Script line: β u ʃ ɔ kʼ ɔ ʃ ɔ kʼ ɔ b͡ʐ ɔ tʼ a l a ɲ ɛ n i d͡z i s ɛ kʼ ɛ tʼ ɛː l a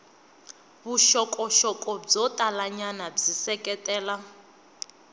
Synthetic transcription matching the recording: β u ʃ ɔ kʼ ɔ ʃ ɔ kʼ ɔ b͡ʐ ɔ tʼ a l a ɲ a n a d͡z i s ɛ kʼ ɛ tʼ ɛː l a